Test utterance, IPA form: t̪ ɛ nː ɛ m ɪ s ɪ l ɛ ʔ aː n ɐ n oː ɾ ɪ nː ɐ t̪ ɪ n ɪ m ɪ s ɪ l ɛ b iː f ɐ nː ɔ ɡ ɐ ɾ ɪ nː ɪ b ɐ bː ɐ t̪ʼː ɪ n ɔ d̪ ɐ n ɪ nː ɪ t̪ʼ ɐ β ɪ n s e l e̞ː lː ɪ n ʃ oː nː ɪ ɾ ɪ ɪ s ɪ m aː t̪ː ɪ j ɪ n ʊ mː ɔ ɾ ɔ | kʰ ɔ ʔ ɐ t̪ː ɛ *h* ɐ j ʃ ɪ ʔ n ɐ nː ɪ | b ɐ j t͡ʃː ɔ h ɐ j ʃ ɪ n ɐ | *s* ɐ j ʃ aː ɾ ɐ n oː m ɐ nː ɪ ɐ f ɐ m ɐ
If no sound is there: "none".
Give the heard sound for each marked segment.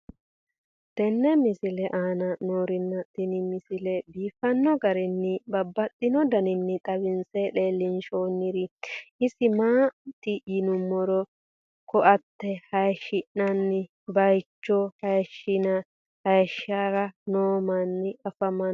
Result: h, h

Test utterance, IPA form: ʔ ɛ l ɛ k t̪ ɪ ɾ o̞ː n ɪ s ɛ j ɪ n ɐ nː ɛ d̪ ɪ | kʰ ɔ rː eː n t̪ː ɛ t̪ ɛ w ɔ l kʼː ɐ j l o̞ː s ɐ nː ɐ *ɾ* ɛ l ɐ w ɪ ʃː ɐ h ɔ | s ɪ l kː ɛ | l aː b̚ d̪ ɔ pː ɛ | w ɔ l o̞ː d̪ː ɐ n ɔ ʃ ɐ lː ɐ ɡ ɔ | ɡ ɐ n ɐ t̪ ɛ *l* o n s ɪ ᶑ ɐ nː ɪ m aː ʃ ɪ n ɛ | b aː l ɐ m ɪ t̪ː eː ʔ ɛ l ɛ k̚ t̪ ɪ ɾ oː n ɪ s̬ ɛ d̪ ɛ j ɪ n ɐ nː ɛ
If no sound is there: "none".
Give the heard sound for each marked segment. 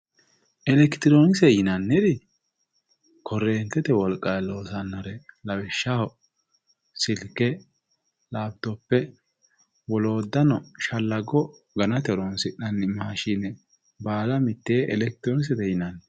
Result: ɾ, ɾ

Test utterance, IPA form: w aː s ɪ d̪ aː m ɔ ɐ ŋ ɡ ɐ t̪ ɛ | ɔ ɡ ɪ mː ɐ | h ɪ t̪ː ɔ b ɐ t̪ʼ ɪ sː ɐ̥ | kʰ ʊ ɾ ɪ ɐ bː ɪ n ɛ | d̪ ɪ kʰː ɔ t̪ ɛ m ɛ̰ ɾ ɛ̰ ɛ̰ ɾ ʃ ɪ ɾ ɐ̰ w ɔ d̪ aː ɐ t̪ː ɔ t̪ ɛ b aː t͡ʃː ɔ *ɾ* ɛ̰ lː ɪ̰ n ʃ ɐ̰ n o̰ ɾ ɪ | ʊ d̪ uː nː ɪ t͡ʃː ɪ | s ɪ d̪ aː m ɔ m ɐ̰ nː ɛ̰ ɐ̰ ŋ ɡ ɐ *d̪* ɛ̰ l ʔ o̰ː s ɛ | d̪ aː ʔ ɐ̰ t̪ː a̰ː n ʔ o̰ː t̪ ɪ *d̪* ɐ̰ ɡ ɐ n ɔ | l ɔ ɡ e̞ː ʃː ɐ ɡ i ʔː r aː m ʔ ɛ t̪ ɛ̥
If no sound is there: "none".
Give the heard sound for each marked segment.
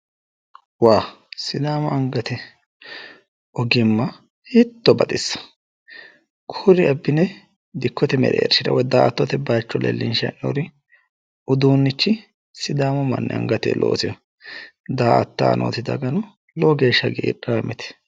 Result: l, t̪, d̪

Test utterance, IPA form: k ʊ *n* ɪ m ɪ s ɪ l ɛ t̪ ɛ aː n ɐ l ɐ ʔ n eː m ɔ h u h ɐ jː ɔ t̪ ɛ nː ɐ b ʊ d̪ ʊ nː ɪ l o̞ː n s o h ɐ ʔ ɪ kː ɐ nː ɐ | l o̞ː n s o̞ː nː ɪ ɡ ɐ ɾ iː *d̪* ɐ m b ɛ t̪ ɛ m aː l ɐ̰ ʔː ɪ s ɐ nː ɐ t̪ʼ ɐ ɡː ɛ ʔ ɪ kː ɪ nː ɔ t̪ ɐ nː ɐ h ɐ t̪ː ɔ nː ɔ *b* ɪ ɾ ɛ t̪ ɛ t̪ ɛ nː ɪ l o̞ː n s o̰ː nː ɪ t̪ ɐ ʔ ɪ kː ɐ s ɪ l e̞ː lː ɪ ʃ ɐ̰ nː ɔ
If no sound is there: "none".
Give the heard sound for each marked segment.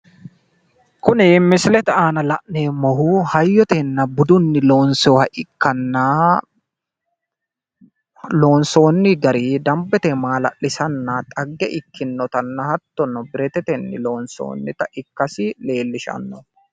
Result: n, d̪, b

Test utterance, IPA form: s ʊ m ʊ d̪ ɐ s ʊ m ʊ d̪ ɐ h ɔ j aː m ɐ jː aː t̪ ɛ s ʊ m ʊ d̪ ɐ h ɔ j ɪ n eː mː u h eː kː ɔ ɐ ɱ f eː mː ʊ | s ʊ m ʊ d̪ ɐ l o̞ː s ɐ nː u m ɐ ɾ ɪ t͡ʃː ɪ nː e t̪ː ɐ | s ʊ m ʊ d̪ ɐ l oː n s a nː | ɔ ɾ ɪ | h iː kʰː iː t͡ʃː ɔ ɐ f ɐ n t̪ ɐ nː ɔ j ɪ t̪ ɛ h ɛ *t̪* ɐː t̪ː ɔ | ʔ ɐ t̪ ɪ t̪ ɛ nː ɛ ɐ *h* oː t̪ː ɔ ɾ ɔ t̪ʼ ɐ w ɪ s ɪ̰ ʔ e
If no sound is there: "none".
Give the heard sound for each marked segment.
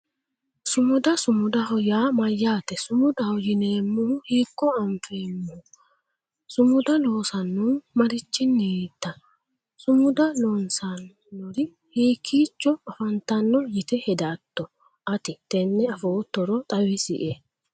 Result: d̪, f

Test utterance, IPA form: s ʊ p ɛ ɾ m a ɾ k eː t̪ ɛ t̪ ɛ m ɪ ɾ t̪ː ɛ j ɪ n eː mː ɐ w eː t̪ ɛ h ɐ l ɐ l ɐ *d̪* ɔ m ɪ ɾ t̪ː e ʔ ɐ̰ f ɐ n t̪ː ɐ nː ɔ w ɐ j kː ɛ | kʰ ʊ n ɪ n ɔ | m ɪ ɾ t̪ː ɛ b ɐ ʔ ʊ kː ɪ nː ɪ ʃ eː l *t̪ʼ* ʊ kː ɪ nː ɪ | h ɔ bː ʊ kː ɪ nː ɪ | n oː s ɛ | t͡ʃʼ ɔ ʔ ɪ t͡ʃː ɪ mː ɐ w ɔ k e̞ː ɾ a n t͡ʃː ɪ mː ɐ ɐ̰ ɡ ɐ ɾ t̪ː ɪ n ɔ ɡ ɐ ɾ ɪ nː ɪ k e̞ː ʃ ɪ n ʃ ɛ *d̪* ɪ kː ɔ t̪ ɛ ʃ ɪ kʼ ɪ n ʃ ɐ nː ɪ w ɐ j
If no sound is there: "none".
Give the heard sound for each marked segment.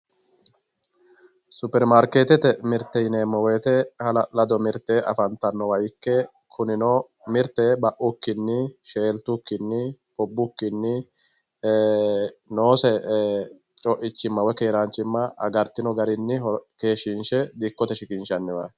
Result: d̪, t̪, d̪

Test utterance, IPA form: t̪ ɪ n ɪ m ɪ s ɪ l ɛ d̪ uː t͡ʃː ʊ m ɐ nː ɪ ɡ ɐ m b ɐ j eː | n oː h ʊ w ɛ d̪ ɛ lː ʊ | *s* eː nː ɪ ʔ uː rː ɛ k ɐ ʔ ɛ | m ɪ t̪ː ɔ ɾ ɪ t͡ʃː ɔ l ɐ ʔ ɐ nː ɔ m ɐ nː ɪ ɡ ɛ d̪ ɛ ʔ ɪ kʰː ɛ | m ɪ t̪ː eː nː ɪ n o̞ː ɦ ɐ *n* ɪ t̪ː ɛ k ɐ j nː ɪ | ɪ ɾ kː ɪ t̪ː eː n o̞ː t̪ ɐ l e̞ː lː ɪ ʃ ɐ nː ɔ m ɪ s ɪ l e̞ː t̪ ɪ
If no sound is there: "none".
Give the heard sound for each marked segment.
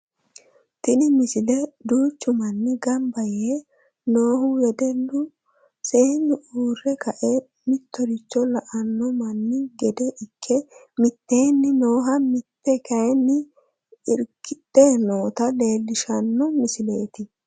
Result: s, m

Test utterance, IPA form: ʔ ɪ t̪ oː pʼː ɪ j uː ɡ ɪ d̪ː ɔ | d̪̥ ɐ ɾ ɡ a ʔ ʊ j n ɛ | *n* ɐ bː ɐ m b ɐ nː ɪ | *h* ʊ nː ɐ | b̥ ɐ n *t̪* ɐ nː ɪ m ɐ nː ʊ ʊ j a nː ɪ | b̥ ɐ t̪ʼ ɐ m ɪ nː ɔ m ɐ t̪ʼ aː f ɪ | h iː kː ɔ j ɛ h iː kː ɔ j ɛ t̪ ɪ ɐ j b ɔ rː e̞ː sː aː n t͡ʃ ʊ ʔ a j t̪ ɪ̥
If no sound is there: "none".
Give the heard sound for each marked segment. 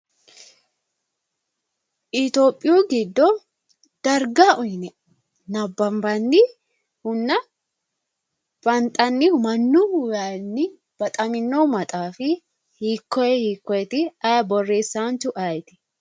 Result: n, h, t̪ʼ

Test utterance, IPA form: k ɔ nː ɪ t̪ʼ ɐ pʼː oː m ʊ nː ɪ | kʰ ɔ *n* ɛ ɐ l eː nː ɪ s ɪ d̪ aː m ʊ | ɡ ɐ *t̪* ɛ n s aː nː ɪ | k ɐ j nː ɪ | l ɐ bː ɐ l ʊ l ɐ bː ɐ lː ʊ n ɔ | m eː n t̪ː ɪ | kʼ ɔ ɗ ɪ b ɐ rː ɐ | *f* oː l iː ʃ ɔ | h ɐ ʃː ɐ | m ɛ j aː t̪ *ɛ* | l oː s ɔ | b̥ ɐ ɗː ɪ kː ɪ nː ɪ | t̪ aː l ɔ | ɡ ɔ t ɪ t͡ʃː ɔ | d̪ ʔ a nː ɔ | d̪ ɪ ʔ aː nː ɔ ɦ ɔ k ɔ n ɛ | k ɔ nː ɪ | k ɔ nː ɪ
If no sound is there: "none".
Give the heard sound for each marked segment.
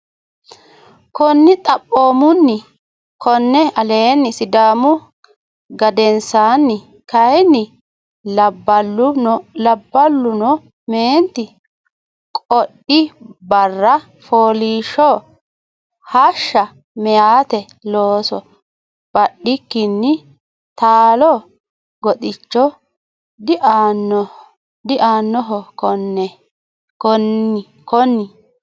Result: nː, d̪, f, ɛ

